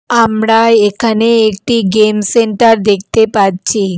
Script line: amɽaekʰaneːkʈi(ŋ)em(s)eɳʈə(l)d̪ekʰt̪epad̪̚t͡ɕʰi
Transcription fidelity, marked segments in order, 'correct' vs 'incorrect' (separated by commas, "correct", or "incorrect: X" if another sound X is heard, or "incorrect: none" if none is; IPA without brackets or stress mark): incorrect: ɡ, correct, incorrect: ɾ